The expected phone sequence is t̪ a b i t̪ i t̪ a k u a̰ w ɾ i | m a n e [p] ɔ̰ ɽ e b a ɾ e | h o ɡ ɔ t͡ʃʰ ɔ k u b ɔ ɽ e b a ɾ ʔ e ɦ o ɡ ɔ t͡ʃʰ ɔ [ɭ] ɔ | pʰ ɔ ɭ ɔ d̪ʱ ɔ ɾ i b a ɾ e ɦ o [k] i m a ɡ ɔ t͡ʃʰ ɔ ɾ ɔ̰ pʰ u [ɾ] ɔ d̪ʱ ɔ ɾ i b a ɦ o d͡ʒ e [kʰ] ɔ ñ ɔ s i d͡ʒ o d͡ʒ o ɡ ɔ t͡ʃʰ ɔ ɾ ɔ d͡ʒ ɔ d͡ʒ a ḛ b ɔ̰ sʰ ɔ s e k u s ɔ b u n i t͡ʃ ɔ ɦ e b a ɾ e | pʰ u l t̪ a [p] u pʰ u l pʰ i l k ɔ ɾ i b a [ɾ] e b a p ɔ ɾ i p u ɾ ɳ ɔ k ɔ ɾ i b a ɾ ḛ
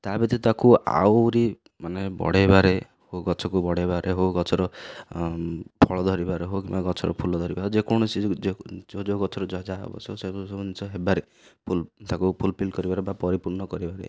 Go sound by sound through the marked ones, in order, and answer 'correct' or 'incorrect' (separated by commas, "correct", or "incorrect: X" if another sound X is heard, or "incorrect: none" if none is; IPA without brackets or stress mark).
incorrect: b, incorrect: ɾ, correct, incorrect: l, incorrect: k, incorrect: k, correct